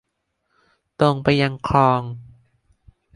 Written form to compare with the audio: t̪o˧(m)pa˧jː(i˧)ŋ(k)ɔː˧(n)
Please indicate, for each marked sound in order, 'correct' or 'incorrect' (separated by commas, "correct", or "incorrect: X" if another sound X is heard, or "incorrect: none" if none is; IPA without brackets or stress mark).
incorrect: ŋ, incorrect: a˧, incorrect: kʰ, incorrect: ŋ